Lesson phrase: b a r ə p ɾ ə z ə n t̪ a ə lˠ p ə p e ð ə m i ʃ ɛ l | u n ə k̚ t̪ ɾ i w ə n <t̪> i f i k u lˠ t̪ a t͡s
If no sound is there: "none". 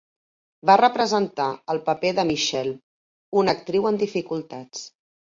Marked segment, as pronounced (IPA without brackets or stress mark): d̪